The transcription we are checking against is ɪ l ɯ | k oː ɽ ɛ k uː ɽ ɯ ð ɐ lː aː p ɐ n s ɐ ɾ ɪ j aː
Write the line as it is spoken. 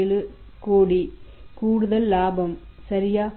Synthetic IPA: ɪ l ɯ | k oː ɽ i k uː ɽ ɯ ð ɐ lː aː b ɐ m s ɐ ɾ ɪ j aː